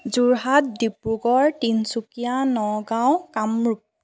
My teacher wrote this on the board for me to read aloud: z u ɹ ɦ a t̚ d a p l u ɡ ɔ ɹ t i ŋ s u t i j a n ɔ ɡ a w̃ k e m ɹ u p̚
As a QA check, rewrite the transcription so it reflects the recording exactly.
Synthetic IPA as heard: z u ɹ ɦ a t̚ d i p ɹ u ɡ ɔ ɹ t i n s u k i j a n ɔ ɡ a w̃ k a m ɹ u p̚